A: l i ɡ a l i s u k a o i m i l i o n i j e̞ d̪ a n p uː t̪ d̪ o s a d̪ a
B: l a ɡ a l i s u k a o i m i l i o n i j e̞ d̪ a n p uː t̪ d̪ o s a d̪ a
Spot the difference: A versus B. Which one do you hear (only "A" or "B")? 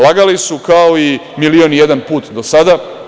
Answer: B